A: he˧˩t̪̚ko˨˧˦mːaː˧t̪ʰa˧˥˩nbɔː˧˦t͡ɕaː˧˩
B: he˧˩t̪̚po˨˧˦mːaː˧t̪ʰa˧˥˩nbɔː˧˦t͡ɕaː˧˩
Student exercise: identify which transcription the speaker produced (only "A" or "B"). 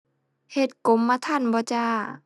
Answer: A